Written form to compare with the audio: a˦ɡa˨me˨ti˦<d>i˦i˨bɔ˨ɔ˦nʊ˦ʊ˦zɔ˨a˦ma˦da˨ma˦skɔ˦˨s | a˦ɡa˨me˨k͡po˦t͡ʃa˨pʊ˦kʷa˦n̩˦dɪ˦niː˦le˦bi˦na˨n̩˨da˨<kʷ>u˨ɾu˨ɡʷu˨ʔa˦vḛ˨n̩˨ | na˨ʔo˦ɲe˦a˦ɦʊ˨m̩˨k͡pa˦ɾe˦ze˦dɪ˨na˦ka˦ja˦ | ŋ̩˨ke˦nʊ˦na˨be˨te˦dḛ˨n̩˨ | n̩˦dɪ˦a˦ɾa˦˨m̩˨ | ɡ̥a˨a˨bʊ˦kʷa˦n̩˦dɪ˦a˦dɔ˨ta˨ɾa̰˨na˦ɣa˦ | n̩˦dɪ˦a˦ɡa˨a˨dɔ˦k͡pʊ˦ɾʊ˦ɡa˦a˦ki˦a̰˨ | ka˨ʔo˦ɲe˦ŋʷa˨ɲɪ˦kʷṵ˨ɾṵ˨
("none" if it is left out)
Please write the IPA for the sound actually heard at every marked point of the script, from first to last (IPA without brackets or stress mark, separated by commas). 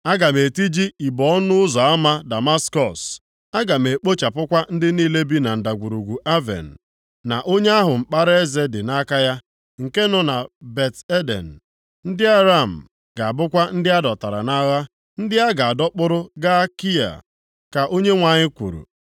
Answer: d͡ʒ, ɡʷ